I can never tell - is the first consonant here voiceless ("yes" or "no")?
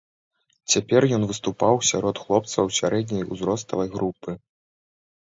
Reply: yes